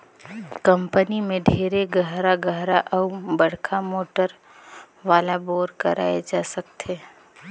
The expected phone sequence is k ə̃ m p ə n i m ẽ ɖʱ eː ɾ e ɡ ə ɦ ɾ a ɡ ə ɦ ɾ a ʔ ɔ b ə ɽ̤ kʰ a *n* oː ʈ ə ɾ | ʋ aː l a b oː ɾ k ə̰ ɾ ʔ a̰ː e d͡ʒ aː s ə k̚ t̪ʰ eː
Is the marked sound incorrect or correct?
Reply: incorrect: m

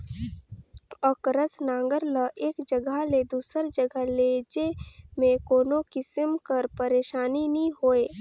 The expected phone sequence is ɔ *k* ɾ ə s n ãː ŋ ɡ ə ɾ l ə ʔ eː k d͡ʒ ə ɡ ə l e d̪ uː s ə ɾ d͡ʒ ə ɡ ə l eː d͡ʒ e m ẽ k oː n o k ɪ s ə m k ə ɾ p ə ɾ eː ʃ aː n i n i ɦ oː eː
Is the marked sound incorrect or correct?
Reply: correct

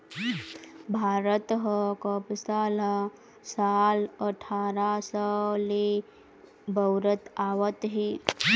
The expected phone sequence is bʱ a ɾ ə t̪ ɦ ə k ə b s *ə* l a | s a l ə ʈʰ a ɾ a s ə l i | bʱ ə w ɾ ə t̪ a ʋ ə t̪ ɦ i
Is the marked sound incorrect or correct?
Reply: incorrect: a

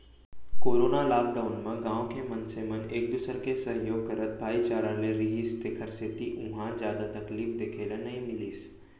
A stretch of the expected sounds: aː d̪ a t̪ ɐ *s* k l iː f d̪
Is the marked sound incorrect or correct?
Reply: incorrect: none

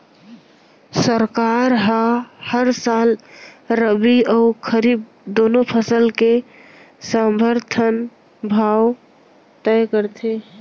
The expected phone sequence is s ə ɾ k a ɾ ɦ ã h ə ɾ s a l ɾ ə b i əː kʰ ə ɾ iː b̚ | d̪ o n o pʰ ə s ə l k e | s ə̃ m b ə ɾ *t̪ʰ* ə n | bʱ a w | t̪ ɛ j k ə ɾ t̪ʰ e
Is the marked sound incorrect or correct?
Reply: correct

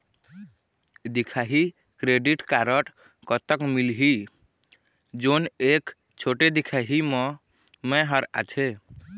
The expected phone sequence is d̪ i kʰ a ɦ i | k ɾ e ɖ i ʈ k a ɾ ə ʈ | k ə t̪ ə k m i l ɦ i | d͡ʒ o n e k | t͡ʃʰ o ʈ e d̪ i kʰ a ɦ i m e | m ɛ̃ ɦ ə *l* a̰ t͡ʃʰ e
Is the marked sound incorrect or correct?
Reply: incorrect: ɾ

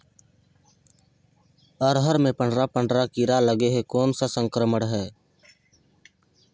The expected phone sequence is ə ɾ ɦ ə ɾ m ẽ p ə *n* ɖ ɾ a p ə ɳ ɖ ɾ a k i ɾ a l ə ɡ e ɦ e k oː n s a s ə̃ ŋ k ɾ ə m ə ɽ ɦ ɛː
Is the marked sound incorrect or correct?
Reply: incorrect: ɳ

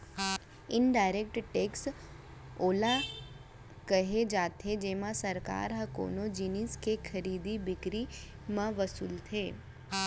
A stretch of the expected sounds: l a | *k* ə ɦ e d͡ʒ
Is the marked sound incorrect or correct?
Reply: correct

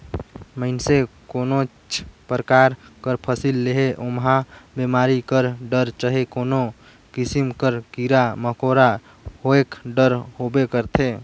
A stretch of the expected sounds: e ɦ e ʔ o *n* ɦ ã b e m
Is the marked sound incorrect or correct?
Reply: incorrect: m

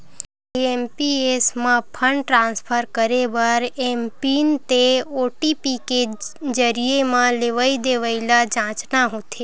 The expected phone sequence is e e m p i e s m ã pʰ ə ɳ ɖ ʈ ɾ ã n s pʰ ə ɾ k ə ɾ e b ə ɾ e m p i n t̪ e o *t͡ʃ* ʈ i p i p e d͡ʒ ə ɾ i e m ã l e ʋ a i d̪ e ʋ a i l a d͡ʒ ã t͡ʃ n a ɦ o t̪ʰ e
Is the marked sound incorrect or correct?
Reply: incorrect: none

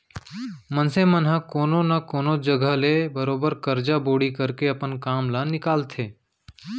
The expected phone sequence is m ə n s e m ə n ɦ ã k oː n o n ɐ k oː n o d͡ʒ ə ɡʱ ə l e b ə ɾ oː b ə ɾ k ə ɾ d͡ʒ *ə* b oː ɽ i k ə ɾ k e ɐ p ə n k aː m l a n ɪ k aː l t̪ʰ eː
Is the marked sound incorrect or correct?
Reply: incorrect: a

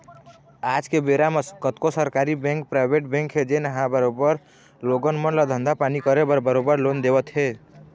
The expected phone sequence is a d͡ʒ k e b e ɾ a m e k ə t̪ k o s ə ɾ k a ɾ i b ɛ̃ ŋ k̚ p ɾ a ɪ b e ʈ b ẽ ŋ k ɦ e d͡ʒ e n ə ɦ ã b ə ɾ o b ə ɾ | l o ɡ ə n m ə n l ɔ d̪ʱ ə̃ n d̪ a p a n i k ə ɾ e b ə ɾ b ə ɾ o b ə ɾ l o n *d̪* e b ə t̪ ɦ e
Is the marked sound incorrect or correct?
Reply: correct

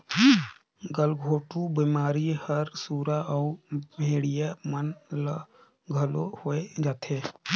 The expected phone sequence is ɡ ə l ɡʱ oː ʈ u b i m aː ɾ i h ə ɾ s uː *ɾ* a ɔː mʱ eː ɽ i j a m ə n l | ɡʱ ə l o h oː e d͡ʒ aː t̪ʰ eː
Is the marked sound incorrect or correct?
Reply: correct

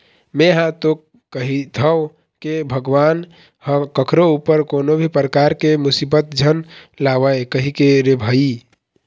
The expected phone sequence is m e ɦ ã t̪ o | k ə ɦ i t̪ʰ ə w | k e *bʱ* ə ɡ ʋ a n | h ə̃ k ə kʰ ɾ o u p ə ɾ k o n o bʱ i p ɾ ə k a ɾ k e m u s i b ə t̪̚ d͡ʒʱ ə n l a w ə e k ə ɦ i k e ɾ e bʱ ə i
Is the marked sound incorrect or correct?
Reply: correct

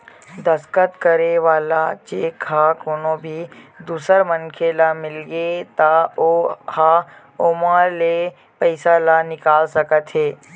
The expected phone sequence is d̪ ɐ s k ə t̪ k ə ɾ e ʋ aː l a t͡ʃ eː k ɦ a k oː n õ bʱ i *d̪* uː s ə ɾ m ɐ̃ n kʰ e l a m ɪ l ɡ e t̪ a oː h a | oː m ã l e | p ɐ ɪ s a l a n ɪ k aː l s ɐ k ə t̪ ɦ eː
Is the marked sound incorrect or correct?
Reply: correct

